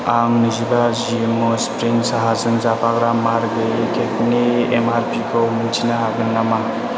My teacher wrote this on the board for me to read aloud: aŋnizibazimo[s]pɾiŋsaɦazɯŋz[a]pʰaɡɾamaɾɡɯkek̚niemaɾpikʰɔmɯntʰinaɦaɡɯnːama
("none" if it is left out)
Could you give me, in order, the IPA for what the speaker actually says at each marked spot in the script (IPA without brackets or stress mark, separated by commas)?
s, a